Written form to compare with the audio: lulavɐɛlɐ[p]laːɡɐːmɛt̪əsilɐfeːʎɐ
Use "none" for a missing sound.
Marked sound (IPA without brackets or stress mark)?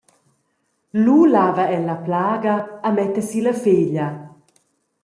p